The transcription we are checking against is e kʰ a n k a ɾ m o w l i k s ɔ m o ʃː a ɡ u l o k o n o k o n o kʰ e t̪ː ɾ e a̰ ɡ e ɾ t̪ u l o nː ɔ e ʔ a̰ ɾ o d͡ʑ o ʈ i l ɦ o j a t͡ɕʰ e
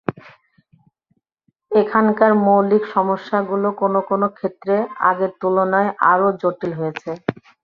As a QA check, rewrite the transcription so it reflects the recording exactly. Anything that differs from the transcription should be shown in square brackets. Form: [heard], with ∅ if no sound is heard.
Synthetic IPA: e kʰ a n k a ɾ m o w l i k [ʃ] ɔ m o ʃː a ɡ u l o k o n o k o n o kʰ e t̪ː ɾ e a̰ ɡ e ɾ t̪ u l o [n] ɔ e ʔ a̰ ɾ o d͡ʑ o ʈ i l ɦ o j [e] t͡ɕʰ e